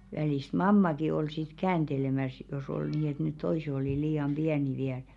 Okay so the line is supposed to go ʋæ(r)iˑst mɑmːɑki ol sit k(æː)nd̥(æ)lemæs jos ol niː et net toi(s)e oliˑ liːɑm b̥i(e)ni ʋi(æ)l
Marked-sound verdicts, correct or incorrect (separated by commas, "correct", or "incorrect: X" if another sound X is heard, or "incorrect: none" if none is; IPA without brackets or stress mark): incorrect: l, correct, incorrect: e, correct, incorrect: æ, correct